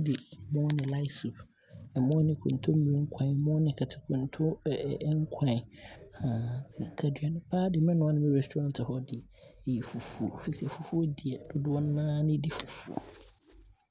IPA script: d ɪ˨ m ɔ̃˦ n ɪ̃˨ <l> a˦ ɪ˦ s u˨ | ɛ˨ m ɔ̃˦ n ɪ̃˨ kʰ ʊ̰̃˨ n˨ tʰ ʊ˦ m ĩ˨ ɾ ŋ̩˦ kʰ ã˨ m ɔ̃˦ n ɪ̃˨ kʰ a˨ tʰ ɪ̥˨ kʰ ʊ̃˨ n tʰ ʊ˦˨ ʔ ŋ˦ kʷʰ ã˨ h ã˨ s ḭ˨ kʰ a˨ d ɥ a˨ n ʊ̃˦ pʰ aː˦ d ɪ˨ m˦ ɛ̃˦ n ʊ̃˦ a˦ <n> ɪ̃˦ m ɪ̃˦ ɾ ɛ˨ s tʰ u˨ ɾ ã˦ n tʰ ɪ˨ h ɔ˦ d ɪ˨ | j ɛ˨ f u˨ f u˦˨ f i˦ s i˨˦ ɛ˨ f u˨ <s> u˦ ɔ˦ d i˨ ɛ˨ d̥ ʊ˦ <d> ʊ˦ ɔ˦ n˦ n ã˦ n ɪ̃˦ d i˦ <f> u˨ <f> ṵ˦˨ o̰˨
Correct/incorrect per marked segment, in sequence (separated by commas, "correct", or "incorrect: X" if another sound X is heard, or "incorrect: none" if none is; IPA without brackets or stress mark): correct, correct, incorrect: f, correct, correct, correct